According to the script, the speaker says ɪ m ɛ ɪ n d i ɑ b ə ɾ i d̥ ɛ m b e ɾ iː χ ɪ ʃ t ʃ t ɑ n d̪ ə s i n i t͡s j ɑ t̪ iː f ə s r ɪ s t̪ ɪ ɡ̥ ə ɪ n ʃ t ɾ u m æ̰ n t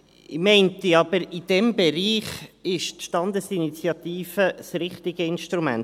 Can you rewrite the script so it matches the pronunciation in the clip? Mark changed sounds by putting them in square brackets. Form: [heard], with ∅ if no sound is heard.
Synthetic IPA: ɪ m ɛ ɪ n [t] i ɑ b ə ɾ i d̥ ɛ m b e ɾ iː χ ɪ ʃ t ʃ t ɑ n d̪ ə s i n i t͡s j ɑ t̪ iː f ə s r ɪ [χ] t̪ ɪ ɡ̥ ə ɪ n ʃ t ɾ u m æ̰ n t